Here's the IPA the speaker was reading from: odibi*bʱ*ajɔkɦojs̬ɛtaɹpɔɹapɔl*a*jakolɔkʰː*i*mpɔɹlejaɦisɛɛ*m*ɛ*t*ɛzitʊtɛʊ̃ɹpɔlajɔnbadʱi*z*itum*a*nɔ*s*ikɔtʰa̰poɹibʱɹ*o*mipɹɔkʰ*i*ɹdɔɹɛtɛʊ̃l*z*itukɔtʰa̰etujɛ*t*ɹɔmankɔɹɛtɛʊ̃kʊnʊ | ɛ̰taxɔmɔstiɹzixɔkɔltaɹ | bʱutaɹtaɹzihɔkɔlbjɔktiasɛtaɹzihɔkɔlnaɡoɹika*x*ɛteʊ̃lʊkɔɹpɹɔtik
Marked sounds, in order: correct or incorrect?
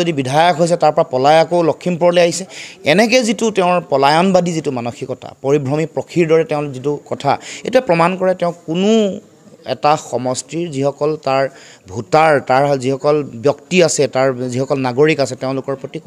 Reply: incorrect, correct, correct, incorrect, incorrect, correct, correct, incorrect, incorrect, correct, correct, incorrect, incorrect

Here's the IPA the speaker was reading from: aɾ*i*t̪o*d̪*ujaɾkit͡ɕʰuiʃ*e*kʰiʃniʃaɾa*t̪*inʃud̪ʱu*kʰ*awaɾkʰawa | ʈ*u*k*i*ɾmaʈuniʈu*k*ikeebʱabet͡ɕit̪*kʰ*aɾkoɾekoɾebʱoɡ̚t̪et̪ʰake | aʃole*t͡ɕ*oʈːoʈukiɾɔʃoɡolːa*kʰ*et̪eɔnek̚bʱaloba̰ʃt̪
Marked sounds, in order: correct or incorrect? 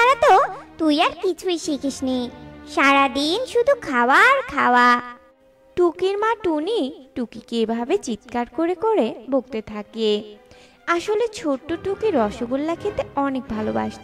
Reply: incorrect, incorrect, incorrect, incorrect, correct, correct, correct, correct, incorrect, incorrect, correct

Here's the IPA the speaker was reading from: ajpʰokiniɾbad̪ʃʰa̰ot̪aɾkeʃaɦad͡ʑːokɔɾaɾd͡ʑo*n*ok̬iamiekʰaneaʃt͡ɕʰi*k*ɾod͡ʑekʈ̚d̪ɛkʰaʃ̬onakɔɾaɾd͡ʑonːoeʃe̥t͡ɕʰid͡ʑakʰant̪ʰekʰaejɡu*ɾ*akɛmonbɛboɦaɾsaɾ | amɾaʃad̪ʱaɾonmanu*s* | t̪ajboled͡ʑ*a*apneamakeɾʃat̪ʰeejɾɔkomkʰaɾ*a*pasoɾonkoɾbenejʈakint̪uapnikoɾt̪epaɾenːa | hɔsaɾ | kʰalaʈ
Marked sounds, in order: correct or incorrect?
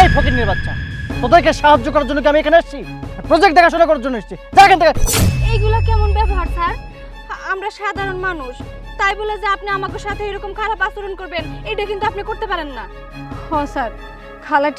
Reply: incorrect, incorrect, incorrect, incorrect, incorrect, correct

